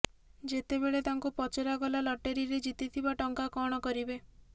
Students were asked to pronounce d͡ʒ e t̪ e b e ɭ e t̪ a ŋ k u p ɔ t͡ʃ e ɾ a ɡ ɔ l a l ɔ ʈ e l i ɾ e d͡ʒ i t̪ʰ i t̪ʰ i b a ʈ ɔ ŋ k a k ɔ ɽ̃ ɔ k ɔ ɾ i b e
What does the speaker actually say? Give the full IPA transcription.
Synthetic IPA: d͡ʒ e t̪ e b e ɭ e t̪ a ŋ k u p ɔ t͡ʃ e ɾ a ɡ ɔ l a l ɔ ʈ e ɾ i ɾ e d͡ʒ i t̪ i t̪ʰ i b a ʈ ɔ ŋ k a k ɔ ɽ̃ ɔ k ɔ ɾ i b e